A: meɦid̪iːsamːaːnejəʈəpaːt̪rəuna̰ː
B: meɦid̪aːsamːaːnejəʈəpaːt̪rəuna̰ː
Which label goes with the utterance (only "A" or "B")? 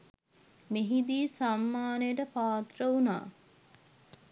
A